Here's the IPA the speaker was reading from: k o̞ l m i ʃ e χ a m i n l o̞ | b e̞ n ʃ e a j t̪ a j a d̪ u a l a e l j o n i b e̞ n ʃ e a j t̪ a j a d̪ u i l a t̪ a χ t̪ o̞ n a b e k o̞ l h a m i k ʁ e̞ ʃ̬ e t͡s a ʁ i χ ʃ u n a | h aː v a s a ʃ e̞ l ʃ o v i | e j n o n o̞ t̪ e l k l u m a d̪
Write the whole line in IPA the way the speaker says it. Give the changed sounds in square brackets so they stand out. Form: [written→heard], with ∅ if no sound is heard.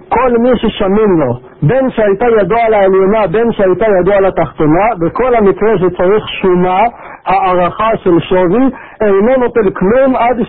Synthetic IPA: k o̞ l m i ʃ e [χ→ʃ] a m i n l o̞ | b e̞ n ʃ e a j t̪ a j a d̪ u a l a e l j o n [i→a] b e̞ n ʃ e a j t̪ a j a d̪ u [i→a] l a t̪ a χ t̪ o̞ n a b e k o̞ l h a m i k ʁ e̞ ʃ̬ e t͡s a ʁ i χ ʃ u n a | h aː [v→ʁ] a [s→χ] a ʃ e̞ l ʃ o v i | e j n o n o̞ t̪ e l k l u m a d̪